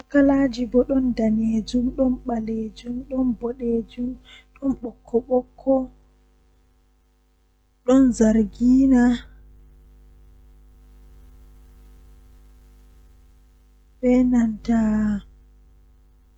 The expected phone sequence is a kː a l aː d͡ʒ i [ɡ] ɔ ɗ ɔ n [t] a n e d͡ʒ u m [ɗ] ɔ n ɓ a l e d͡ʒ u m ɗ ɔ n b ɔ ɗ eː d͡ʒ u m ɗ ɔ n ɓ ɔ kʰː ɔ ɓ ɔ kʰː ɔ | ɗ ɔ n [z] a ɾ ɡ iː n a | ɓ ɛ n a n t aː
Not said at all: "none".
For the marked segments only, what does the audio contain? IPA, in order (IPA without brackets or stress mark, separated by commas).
b, d, ɗ, z